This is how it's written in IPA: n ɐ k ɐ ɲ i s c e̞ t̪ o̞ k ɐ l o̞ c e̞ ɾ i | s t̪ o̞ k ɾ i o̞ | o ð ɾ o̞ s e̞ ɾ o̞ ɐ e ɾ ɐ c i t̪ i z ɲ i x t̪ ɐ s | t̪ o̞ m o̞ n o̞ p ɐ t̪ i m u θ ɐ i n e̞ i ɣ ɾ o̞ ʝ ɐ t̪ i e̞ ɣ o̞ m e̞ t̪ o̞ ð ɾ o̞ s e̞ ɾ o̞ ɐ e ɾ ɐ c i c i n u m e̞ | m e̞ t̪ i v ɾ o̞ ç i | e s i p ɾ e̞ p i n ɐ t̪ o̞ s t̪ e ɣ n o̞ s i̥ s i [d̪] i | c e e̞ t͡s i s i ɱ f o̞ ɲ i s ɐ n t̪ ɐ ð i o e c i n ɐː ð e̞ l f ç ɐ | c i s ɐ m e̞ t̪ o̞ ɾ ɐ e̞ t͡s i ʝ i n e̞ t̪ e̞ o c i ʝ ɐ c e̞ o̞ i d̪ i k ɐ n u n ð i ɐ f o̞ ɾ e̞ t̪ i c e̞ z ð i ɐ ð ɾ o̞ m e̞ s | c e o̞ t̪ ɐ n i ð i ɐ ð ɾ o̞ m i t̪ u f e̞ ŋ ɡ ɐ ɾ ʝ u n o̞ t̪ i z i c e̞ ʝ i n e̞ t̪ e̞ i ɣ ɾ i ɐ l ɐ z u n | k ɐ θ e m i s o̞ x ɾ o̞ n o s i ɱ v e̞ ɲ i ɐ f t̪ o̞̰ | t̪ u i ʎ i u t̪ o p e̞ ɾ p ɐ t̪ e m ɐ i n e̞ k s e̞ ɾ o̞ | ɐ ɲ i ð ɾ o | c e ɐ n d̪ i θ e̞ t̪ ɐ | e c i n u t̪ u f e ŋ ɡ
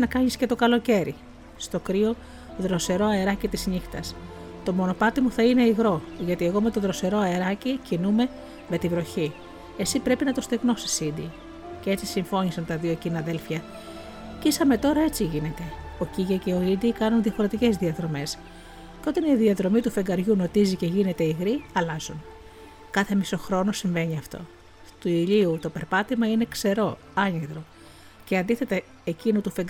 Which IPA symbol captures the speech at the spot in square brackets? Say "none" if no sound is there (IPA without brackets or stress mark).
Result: d̪